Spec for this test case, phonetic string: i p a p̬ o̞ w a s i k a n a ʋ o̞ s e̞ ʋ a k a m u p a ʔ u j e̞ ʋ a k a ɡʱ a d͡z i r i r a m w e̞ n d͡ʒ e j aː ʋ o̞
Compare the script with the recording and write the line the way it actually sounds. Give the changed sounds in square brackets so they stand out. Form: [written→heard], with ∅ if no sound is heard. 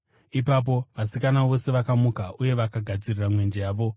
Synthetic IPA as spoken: i p a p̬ o̞ [w→ʋ] a s i k a n a ʋ o̞ s e̞ ʋ a k a m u [p→k] a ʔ u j e̞ ʋ a k a ɡʱ a d͡z i r i r a m w e̞ n d͡ʒ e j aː ʋ o̞